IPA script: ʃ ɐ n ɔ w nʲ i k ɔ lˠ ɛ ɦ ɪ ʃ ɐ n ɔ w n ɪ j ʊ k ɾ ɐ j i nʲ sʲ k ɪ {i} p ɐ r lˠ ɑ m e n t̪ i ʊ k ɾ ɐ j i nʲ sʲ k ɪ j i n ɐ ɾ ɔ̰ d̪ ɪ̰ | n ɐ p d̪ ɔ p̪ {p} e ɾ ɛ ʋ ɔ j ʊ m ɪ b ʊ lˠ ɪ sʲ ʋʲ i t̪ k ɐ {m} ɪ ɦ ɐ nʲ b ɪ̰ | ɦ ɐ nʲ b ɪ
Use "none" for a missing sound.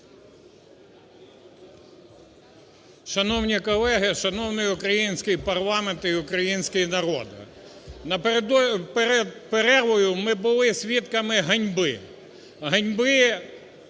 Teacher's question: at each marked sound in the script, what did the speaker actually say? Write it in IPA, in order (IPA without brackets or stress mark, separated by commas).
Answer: j, p, m